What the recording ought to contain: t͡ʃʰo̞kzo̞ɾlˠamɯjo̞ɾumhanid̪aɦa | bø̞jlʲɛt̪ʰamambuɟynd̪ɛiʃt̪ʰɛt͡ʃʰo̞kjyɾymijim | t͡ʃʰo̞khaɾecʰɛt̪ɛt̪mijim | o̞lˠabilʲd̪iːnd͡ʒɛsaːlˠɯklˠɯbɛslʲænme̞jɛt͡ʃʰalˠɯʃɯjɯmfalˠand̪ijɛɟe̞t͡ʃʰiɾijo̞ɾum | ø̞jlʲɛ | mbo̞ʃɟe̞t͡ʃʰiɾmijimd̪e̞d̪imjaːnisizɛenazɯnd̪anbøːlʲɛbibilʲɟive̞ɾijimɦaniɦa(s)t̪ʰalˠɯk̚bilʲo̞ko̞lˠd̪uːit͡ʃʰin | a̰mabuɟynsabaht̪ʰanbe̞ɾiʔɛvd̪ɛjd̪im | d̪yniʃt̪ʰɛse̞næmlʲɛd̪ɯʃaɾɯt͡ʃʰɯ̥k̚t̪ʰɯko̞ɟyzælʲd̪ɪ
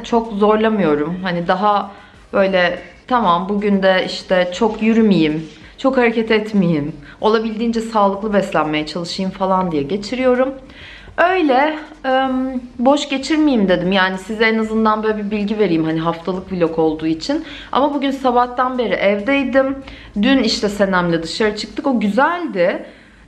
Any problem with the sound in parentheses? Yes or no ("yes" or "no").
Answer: yes